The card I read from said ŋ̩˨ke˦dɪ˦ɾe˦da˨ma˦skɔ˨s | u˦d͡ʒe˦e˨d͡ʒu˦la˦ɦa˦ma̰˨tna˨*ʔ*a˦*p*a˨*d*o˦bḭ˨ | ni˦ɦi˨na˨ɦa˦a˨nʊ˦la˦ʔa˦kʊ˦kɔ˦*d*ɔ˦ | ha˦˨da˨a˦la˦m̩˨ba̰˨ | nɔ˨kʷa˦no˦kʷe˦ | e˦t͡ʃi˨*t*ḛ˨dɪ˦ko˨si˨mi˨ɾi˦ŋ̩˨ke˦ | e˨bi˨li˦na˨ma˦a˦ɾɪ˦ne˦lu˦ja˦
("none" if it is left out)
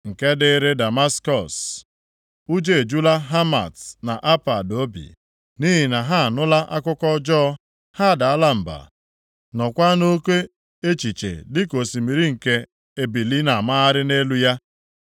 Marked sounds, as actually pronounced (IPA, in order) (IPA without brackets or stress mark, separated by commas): ʔ, p, d, d͡ʒ, t͡ʃ